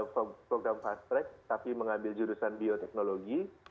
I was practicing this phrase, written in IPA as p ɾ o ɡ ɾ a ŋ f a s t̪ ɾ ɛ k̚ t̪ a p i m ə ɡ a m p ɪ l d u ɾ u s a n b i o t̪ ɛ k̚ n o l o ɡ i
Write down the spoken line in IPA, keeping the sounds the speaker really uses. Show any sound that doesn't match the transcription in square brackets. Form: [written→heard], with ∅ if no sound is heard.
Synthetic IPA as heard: p ɾ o ɡ ɾ a [ŋ→m] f a s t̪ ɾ ɛ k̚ t̪ a p i m ə [ɡ→ŋ] a m [p→b] ɪ l [d→d͡ʒ] u ɾ u s a n b i o t̪ ɛ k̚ n o l o ɡ i